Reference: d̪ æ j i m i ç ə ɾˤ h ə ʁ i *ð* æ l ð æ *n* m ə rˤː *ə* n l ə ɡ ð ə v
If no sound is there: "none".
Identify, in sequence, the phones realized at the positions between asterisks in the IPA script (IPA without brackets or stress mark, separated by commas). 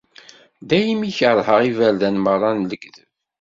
v, n, ɑ